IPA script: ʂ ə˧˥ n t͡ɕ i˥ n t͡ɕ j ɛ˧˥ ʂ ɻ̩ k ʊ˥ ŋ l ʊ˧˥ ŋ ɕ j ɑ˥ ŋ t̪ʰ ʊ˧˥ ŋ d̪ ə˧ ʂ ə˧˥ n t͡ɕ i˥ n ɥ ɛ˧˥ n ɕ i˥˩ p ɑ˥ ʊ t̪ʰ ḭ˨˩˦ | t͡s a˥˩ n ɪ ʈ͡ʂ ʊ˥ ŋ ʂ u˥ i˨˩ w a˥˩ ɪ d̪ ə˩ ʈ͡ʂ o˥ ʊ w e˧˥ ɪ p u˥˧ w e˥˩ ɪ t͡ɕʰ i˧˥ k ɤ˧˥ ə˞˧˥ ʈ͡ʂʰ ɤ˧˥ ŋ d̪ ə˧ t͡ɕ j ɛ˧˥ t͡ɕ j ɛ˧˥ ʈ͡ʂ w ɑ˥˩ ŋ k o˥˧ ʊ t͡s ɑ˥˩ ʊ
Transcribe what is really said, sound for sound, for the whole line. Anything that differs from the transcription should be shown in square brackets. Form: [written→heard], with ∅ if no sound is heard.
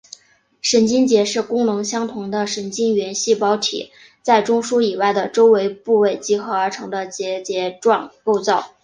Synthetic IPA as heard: ʂ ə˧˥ n t͡ɕ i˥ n t͡ɕ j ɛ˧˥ ʂ ɻ̩ k ʊ˥ ŋ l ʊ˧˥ ŋ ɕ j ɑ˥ ŋ t̪ʰ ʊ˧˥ ŋ d̪ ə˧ ʂ ə˧˥ n t͡ɕ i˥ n ɥ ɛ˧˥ n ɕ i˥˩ p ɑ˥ ʊ t̪ʰ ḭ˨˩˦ | t͡s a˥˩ [n→∅] ɪ ʈ͡ʂ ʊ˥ ŋ ʂ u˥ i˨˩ w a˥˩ ɪ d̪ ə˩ ʈ͡ʂ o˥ ʊ w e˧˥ ɪ p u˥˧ w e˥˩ ɪ [t͡ɕʰ→t͡ɕ] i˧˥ [k→x] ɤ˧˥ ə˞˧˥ ʈ͡ʂʰ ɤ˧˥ ŋ d̪ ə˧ t͡ɕ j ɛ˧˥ t͡ɕ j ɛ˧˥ ʈ͡ʂ w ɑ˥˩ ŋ k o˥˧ ʊ t͡s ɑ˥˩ ʊ